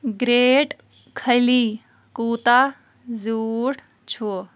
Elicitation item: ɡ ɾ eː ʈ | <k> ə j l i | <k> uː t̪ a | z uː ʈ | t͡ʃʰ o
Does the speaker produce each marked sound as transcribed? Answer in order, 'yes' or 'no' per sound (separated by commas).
no, yes